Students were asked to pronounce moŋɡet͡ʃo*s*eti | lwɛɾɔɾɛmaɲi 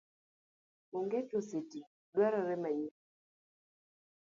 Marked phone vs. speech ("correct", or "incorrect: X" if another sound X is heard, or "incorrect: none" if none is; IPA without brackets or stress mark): correct